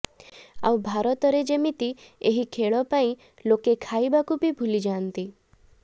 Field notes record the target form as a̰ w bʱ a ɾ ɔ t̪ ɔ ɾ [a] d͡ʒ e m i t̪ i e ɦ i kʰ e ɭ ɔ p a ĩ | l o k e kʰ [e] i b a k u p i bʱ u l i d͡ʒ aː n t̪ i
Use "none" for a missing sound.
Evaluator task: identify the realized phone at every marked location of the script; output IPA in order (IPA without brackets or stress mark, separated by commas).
e, a